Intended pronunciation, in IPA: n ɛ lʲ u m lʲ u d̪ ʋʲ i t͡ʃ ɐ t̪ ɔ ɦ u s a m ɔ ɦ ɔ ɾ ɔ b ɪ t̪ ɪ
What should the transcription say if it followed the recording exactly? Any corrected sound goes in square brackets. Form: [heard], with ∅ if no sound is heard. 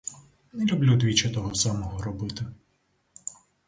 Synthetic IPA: n ɛ lʲ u [b] lʲ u d̪ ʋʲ i t͡ʃ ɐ t̪ ɔ ɦ [ɔ] s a m ɔ ɦ ɔ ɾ ɔ b ɪ t̪ ɪ